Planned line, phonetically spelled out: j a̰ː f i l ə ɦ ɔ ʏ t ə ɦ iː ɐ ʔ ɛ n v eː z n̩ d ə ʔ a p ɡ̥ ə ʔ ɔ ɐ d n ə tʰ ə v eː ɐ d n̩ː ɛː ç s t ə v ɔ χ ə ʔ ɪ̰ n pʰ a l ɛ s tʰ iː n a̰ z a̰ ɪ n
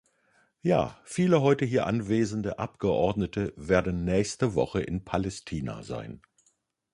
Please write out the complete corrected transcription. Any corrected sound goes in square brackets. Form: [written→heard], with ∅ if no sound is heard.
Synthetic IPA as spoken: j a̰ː f [i→iː] l ə ɦ ɔ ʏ t ə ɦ iː ɐ ʔ [ɛ→a] n v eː z n̩ d ə ʔ a p ɡ̥ ə ʔ ɔ ɐ d n ə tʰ ə v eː ɐ d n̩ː ɛː ç s t ə v ɔ χ ə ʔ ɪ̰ n pʰ a l ɛ s tʰ iː n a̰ z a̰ ɪ n